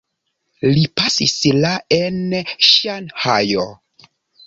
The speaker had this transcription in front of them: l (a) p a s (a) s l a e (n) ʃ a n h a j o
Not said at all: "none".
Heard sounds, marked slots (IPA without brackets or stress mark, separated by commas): i, i, n